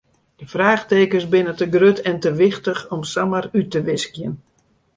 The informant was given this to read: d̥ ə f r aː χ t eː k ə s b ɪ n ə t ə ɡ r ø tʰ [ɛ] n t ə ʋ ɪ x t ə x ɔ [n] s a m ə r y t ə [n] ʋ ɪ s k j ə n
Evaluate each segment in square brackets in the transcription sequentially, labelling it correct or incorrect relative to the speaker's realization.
correct, incorrect, incorrect

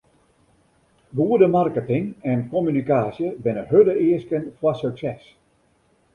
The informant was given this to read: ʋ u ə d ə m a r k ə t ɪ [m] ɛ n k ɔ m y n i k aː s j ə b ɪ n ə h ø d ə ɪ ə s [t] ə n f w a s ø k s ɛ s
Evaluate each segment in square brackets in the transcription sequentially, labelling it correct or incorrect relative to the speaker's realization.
incorrect, incorrect

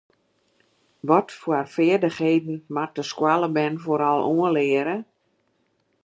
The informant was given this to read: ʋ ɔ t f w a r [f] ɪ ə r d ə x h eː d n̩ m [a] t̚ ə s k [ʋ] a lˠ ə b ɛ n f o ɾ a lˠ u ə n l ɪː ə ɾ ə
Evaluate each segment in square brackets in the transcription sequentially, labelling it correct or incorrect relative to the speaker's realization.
correct, correct, incorrect

